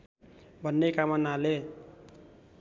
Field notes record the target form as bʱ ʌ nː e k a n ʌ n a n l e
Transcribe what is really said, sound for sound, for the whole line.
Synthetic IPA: bʱ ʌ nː e k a m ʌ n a l e